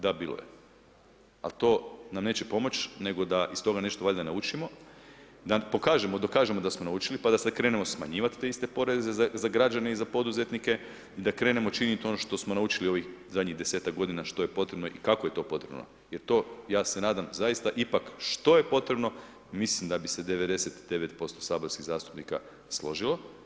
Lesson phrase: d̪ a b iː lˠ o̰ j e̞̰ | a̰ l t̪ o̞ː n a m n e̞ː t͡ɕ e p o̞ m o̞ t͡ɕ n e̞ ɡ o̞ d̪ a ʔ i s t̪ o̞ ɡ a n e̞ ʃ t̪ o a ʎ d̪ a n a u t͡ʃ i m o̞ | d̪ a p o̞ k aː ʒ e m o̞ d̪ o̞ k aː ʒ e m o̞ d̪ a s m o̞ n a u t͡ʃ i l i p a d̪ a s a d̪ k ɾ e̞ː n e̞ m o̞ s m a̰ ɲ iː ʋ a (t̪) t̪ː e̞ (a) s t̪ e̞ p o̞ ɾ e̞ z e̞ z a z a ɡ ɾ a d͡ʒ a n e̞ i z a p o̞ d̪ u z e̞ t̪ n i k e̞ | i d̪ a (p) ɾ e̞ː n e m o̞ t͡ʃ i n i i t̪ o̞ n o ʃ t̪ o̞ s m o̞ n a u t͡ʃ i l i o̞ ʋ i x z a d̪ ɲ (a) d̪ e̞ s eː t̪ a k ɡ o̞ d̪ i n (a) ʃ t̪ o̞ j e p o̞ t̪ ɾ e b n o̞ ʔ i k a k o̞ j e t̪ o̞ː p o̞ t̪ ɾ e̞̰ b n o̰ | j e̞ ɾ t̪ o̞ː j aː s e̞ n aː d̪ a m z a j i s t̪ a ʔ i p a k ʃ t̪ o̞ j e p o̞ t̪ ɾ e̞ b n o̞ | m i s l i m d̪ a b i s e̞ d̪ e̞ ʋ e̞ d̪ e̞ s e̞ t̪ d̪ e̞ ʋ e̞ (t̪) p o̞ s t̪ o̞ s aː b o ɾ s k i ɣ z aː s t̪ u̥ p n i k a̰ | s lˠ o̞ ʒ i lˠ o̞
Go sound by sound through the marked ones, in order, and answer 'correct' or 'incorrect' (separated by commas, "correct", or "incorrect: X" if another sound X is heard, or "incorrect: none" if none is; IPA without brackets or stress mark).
correct, incorrect: i, incorrect: k, incorrect: i, correct, correct